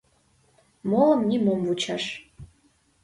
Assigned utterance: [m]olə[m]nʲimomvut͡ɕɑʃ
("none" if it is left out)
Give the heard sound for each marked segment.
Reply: m, m

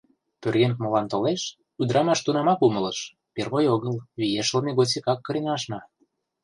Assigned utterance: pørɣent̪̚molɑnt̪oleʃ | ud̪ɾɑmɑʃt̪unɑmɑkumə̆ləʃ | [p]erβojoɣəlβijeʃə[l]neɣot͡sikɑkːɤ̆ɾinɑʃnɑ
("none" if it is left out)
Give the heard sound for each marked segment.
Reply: p, l

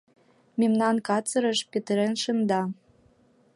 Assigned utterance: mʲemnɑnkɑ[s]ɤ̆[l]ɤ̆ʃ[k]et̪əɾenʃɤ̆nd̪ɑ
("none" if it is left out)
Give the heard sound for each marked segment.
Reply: t͡s, ɾ, p

